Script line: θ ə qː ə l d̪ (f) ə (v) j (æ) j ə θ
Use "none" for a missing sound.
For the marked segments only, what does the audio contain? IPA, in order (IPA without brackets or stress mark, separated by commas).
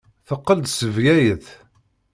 s, v, æ